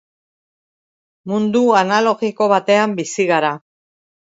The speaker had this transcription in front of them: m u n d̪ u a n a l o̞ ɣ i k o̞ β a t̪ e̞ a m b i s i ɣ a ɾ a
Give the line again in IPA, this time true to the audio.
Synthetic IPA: m u n d̪ u a n a l o̞ ɣ i k o̞ β a t̪ e̞ a m b i s i ɣ a ɾ a